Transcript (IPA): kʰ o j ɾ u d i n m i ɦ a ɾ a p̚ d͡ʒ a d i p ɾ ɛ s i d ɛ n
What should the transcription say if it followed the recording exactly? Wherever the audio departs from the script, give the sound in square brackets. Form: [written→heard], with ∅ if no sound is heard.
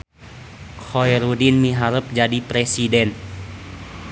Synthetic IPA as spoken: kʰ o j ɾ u d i n m i ɦ a ɾ [a→ə] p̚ d͡ʒ a d i p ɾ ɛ s i d ɛ n